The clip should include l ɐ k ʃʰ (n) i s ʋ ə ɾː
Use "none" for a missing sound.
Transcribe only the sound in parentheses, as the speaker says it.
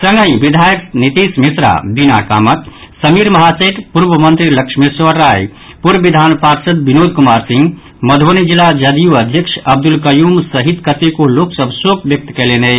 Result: m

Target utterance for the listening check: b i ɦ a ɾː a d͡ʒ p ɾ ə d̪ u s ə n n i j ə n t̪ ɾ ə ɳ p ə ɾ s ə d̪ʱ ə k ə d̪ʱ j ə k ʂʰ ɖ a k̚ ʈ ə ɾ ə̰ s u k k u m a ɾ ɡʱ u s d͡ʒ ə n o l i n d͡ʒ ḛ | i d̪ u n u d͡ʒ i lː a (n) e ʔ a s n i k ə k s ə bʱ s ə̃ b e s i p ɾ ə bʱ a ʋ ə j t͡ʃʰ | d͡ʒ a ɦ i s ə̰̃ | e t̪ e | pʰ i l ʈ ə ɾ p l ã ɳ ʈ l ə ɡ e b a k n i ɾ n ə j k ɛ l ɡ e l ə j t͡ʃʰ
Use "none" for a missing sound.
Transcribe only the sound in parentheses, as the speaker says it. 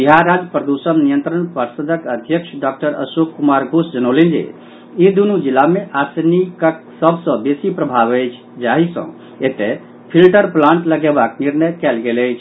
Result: m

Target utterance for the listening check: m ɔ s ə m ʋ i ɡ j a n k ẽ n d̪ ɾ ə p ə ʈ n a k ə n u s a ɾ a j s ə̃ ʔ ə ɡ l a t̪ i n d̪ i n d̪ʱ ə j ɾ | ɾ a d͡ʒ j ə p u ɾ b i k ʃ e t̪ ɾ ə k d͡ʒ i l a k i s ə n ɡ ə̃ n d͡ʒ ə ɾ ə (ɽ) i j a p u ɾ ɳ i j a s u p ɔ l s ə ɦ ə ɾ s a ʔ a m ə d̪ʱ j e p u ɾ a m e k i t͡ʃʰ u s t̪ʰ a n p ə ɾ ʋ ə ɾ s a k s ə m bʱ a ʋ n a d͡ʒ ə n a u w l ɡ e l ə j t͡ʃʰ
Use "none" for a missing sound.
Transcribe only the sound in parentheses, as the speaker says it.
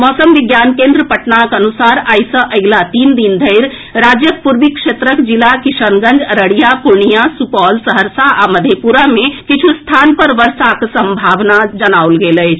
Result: ɽ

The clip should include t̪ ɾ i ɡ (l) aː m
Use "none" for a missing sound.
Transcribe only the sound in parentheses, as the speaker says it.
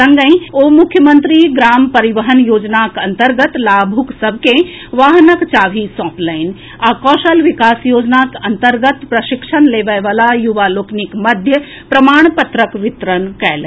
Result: ɾ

